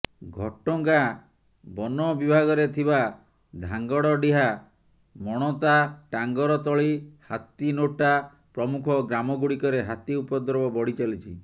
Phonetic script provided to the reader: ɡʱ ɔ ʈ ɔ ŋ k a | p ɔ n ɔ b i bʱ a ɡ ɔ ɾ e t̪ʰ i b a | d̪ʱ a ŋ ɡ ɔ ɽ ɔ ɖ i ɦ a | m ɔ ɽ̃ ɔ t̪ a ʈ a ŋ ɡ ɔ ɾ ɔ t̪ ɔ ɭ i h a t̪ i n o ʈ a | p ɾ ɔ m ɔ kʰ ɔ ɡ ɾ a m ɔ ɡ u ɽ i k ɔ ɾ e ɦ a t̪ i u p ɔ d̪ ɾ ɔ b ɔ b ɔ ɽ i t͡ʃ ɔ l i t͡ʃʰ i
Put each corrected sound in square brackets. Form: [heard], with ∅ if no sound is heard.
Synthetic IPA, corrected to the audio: ɡʱ ɔ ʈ ɔ ŋ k a | [b] ɔ n ɔ b i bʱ a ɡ ɔ ɾ e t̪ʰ i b a | d̪ʱ a ŋ ɡ ɔ ɽ ɔ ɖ i ɦ a | m ɔ ɽ̃ ɔ t̪ a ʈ a ŋ ɡ ɔ ɾ ɔ t̪ ɔ ɭ i h a t̪ i n o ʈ a | p ɾ ɔ m [u] kʰ ɔ ɡ ɾ a m ɔ ɡ u ɽ i k ɔ ɾ e ɦ a t̪ i u p ɔ d̪ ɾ ɔ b ɔ b ɔ ɽ i t͡ʃ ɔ l i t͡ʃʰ i